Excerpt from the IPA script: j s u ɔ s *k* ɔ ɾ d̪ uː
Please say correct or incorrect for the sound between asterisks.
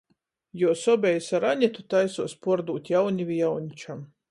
incorrect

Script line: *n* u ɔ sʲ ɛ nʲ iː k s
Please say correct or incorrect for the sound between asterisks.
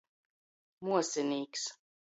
incorrect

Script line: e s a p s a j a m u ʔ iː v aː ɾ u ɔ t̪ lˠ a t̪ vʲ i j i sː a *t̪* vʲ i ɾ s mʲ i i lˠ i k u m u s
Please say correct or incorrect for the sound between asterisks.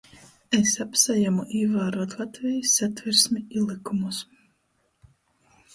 correct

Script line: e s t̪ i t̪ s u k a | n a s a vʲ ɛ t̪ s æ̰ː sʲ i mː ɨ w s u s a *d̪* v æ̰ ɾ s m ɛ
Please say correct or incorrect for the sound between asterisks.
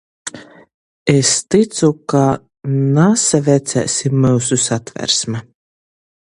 incorrect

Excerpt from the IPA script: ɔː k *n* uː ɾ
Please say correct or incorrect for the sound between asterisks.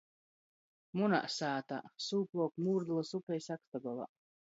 incorrect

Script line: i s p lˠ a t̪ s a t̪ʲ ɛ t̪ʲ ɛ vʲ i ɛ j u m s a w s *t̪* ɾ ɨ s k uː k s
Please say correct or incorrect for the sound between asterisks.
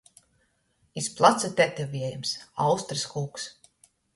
correct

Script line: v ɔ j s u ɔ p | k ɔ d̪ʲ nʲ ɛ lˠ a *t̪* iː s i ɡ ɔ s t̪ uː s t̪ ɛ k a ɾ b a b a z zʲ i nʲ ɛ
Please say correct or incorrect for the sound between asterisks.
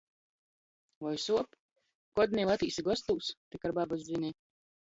correct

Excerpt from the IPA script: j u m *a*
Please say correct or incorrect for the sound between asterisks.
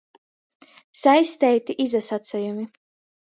incorrect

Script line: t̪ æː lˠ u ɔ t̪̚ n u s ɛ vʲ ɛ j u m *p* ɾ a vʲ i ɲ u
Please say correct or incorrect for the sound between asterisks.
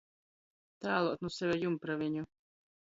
correct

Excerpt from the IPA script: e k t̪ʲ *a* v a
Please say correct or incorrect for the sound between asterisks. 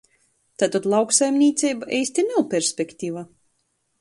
incorrect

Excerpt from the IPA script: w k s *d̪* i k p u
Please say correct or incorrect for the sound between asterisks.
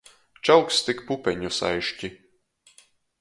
incorrect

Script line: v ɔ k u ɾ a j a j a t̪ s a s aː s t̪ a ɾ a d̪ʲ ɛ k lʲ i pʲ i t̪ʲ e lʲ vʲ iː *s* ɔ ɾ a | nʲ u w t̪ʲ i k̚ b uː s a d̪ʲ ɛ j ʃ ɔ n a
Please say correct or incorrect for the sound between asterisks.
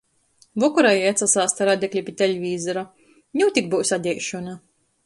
incorrect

